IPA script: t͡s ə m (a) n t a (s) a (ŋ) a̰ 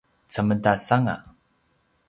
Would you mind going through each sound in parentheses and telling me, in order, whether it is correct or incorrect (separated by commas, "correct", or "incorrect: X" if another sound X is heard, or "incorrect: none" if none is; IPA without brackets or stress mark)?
incorrect: ə, correct, correct